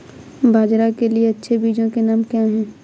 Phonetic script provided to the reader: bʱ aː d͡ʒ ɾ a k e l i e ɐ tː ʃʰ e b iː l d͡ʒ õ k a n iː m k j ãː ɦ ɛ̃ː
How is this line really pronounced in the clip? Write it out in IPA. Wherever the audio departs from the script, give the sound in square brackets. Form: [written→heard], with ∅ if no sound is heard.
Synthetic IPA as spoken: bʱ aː d͡ʒ ɾ a k e l i e ɐ tː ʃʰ e b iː [l→∅] d͡ʒ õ k [a→e] n [iː→aː] m k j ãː ɦ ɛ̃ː